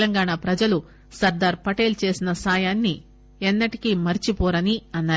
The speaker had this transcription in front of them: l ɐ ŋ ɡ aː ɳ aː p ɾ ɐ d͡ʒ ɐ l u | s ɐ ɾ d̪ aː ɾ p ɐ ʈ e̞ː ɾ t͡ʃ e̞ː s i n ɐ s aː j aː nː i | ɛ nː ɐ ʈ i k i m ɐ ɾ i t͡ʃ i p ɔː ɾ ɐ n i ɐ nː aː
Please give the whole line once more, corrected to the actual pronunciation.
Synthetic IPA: l ɐ ŋ ɡ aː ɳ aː p ɾ ɐ d͡ʒ ɐ l u | s ɐ ɾ d̪ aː ɾ p ɐ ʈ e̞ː l t͡ʃ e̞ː s i n ɐ s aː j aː nː i | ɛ nː ɐ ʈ i k i m ɐ ɾ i t͡ʃ i p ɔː ɾ ɐ n i ɐ nː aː